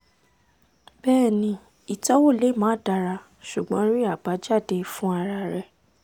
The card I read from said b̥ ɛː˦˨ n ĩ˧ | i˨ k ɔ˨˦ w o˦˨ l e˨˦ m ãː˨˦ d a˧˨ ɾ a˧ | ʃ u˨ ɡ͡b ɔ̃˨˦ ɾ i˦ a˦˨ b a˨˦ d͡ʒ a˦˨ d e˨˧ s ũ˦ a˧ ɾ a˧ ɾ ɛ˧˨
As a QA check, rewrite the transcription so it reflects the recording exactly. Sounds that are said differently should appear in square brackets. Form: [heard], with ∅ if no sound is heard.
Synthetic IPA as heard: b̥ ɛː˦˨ n ĩ˧ | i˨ [t] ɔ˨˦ w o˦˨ l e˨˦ m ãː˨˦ d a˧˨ ɾ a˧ | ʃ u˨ ɡ͡b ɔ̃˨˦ ɾ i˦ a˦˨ b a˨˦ d͡ʒ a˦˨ d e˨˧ [f] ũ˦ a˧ ɾ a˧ ɾ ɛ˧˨